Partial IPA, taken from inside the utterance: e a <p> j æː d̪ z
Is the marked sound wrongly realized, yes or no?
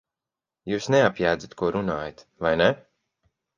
no